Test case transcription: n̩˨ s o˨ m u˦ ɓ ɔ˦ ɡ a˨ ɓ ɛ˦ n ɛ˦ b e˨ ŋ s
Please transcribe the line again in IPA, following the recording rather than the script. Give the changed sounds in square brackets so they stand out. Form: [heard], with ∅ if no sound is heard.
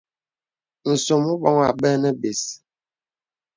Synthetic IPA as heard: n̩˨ s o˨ m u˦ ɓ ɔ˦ [ŋ] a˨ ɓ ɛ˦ n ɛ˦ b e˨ [∅] s